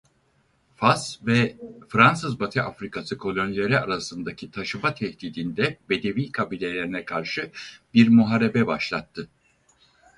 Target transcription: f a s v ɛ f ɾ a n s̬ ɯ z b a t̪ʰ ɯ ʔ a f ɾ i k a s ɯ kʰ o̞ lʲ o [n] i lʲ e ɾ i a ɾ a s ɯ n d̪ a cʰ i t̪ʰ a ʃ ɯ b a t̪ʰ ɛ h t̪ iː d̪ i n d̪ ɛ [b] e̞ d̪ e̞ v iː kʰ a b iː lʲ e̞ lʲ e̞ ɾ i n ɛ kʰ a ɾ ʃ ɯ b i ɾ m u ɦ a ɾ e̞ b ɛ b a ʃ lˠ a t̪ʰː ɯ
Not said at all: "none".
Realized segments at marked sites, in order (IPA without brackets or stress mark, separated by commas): n, b